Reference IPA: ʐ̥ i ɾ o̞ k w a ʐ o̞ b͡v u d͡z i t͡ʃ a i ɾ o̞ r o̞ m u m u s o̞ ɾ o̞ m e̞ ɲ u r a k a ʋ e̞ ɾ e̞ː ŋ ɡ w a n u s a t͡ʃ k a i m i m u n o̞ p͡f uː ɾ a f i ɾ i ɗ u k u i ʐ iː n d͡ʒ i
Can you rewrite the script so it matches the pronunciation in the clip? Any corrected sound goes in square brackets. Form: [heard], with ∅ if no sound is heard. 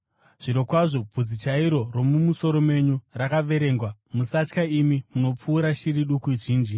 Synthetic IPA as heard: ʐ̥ i ɾ o̞ k w a ʐ o̞ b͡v u d͡z i t͡ʃ a i ɾ o̞ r o̞ m u m u s o̞ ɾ o̞ m e̞ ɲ u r a k a ʋ e̞ ɾ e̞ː ŋ ɡ w a [m] u s a t͡ʃ k a i m i m u n o̞ p͡f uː ɾ a [ʃ] i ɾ i ɗ u k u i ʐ iː n d͡ʒ i